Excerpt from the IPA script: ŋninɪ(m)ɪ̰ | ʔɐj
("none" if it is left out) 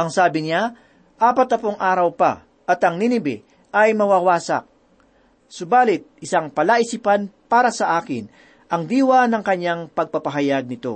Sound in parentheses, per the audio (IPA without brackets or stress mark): b